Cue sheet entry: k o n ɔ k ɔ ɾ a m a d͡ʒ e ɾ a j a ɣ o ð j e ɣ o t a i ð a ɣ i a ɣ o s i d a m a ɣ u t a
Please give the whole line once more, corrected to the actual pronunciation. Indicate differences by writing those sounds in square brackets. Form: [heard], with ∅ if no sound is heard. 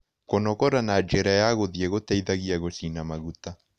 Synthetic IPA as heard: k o n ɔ k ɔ ɾ a [n] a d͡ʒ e ɾ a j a ɣ o ð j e ɣ o t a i ð a ɣ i a ɣ o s i [n] a m a ɣ u t a